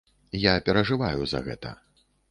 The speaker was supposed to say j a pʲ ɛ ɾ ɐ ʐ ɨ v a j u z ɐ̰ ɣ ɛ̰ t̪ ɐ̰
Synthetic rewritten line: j a pʲ ɛ ɾ ɐ ʐ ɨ v a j u z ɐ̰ ɣ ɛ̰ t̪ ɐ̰